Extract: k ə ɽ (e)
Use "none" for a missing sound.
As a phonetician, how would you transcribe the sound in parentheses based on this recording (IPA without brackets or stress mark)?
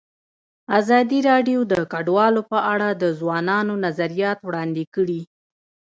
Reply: i